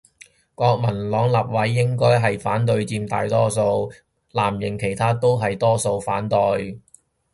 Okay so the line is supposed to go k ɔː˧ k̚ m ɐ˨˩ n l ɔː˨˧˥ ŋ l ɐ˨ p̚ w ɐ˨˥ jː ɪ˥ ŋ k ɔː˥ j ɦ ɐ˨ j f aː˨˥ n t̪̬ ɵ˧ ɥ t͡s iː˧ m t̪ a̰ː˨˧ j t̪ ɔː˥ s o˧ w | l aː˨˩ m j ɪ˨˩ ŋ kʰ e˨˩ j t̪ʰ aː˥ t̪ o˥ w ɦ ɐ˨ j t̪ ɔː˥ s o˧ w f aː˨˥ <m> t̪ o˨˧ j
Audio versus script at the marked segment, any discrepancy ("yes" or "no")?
yes